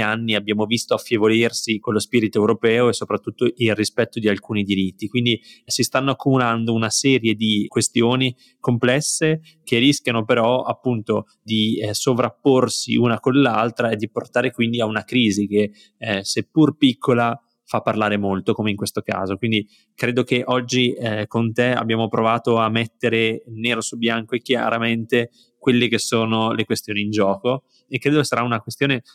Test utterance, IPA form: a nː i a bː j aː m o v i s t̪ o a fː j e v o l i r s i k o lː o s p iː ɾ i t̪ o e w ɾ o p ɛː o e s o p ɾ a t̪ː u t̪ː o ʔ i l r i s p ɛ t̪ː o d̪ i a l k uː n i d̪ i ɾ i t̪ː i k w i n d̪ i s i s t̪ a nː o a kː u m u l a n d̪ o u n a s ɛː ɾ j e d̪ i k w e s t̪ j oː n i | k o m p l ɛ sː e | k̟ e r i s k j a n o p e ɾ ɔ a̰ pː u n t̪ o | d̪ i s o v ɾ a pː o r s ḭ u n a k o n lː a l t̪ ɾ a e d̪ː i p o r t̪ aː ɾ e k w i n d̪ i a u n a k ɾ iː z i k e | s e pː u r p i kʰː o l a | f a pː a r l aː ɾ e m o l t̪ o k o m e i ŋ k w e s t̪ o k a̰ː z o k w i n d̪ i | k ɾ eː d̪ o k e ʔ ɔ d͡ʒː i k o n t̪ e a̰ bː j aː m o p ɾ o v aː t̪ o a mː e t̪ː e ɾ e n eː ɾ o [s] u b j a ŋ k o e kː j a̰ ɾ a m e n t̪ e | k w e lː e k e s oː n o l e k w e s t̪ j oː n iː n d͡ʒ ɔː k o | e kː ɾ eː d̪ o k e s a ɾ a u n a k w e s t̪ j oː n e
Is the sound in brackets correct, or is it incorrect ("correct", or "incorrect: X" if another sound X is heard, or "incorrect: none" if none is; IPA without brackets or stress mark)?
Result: correct